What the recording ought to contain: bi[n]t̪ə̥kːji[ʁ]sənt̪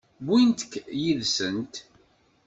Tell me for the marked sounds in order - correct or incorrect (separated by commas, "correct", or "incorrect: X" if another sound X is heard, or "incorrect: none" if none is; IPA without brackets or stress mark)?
correct, incorrect: ð